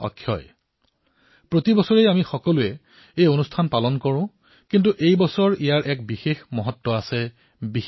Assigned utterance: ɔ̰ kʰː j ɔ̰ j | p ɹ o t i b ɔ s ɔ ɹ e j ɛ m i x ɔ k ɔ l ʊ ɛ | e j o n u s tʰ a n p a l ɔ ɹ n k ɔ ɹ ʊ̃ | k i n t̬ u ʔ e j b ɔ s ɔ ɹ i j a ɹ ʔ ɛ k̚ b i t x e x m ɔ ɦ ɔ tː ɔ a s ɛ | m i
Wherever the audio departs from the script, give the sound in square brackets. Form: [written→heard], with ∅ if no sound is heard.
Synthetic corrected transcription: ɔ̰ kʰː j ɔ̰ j | p ɹ o t i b ɔ s ɔ ɹ e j [ɛ→a] m i x ɔ k ɔ l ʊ ɛ | e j o n u s tʰ a n p a l ɔ [ɹ→∅] n k ɔ ɹ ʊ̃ | k i n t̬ u ʔ e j b ɔ s ɔ ɹ i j a ɹ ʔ ɛ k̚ b i [t→∅] x e x m ɔ ɦ ɔ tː ɔ a s ɛ | [m→b] i

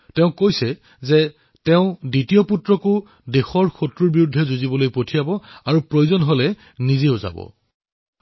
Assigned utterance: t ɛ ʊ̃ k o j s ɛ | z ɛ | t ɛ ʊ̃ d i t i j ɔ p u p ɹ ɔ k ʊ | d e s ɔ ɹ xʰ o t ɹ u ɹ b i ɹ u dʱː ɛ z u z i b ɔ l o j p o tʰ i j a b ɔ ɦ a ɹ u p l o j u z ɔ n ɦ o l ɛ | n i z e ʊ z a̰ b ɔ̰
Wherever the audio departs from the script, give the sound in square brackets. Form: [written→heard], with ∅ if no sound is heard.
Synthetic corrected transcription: t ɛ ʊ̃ k o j s ɛ | z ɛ | t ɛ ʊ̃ d i t i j ɔ p u [p→t] ɹ ɔ k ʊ | d e [s→x] ɔ ɹ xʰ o t ɹ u ɹ b i ɹ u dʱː ɛ z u z i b ɔ l o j p o tʰ i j a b ɔ [ɦ→∅] a ɹ u p [l→ɹ] o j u z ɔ n ɦ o l ɛ | n i z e ʊ z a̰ b ɔ̰

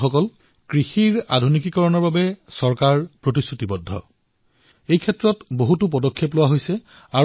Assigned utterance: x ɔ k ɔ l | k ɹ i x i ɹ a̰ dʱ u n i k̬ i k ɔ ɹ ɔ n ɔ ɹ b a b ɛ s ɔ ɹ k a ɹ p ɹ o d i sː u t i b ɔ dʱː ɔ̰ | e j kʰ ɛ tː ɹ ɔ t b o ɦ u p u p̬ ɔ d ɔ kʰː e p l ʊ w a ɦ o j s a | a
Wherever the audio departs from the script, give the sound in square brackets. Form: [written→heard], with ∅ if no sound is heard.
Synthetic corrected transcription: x ɔ k ɔ l | k ɹ i x i ɹ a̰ dʱ u n i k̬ i k ɔ ɹ ɔ n ɔ ɹ b a b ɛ s ɔ ɹ k a ɹ p ɹ o [d→t] i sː u t i b ɔ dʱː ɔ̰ | e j kʰ ɛ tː ɹ ɔ t b o ɦ u [p→t] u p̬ ɔ d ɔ kʰː e p l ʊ w a ɦ o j s [a→ɛ] | a

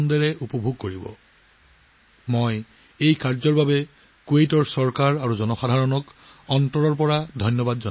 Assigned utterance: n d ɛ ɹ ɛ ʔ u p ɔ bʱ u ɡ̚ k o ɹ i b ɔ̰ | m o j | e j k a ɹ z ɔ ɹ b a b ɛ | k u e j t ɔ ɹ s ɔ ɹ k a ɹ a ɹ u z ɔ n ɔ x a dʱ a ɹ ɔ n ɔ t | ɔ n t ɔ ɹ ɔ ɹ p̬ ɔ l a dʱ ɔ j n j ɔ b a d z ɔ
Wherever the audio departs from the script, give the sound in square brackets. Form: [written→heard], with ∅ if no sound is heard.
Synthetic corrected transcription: n d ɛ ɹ ɛ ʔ u p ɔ bʱ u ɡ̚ k o ɹ i b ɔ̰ | m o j | e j k a ɹ z ɔ ɹ b a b ɛ | k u e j t ɔ ɹ s ɔ ɹ k a ɹ a ɹ u z ɔ n ɔ x a dʱ a ɹ ɔ n ɔ [t→k] | ɔ n t ɔ ɹ ɔ ɹ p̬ ɔ [l→ɹ] a dʱ ɔ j n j ɔ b a d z ɔ

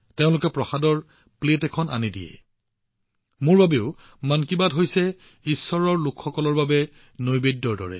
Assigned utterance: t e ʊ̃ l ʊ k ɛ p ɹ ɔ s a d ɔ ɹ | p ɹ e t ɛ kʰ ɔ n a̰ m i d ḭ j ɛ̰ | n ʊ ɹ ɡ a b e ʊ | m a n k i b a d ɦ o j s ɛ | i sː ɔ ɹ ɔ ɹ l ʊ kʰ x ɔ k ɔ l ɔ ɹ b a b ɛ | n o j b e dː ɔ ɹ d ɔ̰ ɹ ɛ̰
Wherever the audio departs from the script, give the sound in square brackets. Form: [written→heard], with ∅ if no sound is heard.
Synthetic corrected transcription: t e ʊ̃ l ʊ k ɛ p ɹ ɔ [s→x] a d ɔ ɹ | p [ɹ→l] e t ɛ kʰ ɔ n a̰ [m→n] i d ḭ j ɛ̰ | [n→m] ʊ ɹ [ɡ→b] a b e ʊ | m a n k i b a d ɦ o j s ɛ | i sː ɔ ɹ ɔ ɹ l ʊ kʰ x ɔ k ɔ l ɔ ɹ b a b ɛ | n o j b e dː ɔ ɹ d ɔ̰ ɹ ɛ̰

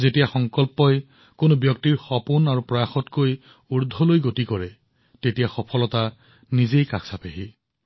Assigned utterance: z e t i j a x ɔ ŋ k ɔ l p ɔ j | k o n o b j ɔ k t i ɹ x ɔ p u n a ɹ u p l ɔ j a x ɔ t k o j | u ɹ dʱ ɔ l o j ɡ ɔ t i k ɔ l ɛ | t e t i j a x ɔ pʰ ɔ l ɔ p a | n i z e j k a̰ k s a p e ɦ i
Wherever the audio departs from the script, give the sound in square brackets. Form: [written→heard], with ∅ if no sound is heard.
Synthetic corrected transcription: z e t i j a x ɔ ŋ k ɔ l p ɔ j | k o n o b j ɔ k t i ɹ x ɔ p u n a ɹ u p [l→ɹ] ɔ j a x ɔ t k o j | u ɹ dʱ ɔ l o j ɡ [ɔ→o] t i k ɔ [l→ɹ] ɛ | t e t i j a x ɔ pʰ ɔ l ɔ [p→t] a | n i z e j k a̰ k s a p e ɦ i

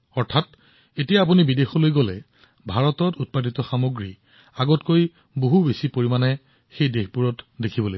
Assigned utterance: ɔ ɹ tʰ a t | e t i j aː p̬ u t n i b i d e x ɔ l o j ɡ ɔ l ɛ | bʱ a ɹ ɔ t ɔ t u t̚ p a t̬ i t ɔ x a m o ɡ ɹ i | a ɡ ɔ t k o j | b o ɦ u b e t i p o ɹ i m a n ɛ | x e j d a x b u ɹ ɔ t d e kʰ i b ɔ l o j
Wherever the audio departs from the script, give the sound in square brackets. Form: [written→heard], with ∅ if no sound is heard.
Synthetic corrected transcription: ɔ ɹ tʰ a t | e t i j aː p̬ u [t→∅] n i b i d e x ɔ l o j ɡ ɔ l ɛ | bʱ a ɹ ɔ t ɔ t u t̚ p a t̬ i t ɔ x a m o ɡ ɹ i | a ɡ ɔ t k o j | b o ɦ u b e [t→s] i p o ɹ i m a n ɛ | x e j d [a→e] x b u ɹ ɔ t d e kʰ i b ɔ l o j

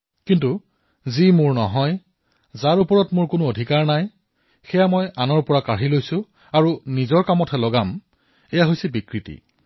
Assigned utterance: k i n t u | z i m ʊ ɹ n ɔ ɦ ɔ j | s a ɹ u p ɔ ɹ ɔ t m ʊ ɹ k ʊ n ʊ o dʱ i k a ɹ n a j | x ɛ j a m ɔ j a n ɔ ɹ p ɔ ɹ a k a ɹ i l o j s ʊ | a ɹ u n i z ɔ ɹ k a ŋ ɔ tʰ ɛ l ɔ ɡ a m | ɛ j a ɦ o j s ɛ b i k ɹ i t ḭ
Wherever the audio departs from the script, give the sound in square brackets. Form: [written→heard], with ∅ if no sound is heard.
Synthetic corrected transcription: k i n t u | z i m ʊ ɹ n ɔ ɦ ɔ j | [s→z] a ɹ u p ɔ ɹ ɔ t m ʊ ɹ k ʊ n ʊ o dʱ i k a ɹ n a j | x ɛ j a m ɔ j a n ɔ ɹ p ɔ ɹ a k a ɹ i l o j s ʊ | a ɹ u n i z ɔ ɹ k a [ŋ→m] ɔ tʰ ɛ l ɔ ɡ a m | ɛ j a ɦ o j s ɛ b i k ɹ i t ḭ

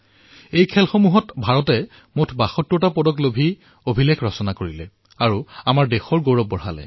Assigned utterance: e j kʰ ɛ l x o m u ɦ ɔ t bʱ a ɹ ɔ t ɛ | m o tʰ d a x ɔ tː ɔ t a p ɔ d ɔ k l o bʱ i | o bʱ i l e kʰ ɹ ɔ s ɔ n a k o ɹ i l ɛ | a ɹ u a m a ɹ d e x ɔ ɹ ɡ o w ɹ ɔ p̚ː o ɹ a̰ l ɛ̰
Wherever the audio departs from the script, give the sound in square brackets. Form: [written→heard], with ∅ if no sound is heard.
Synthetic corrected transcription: e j kʰ ɛ l x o m u ɦ ɔ t bʱ a ɹ ɔ t ɛ | m o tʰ [d→b] a x ɔ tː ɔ t a p ɔ d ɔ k l o bʱ i | o bʱ i l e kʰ ɹ ɔ s ɔ n a k o ɹ i l ɛ | a ɹ u a m a ɹ d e x ɔ ɹ ɡ o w ɹ ɔ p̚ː [o→ɔ] ɹ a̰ l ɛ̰

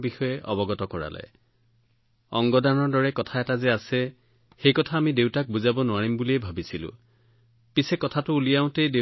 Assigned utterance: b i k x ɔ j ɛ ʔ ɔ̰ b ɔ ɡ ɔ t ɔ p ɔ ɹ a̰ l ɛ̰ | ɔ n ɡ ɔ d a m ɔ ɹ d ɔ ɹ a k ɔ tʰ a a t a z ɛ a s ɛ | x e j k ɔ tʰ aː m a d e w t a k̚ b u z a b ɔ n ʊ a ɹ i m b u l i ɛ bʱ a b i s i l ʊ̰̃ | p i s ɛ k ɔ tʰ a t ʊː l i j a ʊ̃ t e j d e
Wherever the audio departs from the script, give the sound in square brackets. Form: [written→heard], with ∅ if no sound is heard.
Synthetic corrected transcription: b i [k→∅] x ɔ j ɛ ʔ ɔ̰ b ɔ ɡ ɔ t ɔ [p→k] ɔ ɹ a̰ l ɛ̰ | ɔ [n→ŋ] ɡ ɔ d a [m→n] ɔ ɹ d ɔ ɹ [a→ɛ] k ɔ tʰ a [a→ɛ] t a z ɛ a s ɛ | x e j k ɔ tʰ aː m [a→i] d e w t a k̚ b u z a b ɔ n ʊ a ɹ i m b u l i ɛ bʱ a b i s i l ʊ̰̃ | p i s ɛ k ɔ tʰ a t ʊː l i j a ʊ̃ t e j d e

